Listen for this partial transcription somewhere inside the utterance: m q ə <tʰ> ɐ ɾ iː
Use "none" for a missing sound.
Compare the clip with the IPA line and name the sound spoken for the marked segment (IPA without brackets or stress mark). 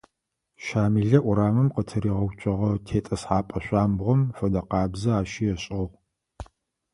tʰ